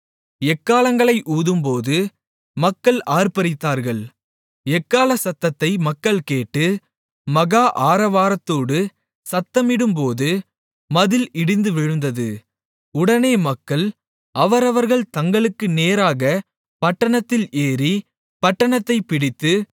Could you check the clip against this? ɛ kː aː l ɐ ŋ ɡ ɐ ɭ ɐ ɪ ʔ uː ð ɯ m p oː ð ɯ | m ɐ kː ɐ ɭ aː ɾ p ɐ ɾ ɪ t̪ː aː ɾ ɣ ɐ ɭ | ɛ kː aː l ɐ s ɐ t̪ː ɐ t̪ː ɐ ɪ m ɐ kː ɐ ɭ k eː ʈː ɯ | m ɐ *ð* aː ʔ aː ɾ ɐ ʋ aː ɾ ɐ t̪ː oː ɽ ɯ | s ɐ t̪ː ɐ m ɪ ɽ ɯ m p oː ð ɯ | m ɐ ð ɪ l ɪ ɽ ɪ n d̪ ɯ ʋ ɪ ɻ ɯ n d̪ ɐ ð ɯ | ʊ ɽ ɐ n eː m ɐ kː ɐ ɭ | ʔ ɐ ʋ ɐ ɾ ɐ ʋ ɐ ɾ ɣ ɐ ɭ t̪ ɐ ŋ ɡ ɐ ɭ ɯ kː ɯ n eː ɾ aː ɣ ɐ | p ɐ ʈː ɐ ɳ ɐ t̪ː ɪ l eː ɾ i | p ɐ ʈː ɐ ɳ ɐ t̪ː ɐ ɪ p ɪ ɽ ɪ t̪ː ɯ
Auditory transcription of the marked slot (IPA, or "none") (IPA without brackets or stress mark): ɣ